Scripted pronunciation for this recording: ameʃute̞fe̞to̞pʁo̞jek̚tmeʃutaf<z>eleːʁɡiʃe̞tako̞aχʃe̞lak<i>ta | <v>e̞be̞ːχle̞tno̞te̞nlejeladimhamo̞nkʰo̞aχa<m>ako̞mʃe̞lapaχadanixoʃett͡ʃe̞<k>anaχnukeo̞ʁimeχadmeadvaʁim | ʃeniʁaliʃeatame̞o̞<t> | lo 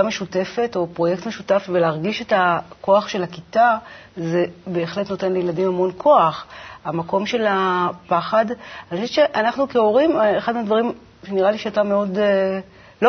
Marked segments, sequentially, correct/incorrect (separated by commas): incorrect, correct, incorrect, correct, incorrect, incorrect